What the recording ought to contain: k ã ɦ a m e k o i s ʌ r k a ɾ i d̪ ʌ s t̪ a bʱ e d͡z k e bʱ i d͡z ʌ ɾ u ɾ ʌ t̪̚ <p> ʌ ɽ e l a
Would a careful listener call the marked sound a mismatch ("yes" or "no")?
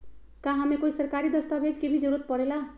no